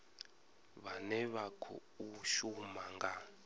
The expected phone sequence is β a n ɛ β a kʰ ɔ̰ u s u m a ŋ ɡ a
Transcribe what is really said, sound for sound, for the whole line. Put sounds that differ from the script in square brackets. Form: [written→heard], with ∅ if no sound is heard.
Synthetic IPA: β a n ɛ β a kʰ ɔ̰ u [s→ʃ] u m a ŋ ɡ a